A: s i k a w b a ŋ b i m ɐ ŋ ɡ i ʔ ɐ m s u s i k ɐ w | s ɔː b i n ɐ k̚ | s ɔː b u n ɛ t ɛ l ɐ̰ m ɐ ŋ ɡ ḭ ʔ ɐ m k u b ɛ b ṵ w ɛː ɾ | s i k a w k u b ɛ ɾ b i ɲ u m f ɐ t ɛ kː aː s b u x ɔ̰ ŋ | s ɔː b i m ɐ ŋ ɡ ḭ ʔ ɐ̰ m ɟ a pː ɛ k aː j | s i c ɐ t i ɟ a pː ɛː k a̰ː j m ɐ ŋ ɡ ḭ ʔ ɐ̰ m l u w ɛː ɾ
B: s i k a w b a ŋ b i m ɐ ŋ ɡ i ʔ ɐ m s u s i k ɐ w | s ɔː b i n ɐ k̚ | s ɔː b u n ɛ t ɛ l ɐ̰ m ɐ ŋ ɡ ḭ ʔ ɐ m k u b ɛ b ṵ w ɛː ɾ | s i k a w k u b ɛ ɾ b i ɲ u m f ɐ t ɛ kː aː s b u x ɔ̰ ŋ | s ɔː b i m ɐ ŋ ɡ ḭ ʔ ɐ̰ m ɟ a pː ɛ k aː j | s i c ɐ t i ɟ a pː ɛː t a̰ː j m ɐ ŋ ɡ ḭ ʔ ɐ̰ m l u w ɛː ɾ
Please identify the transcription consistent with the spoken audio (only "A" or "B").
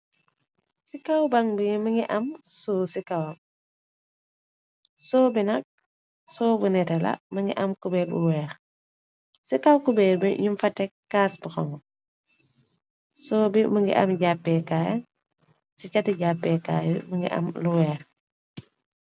A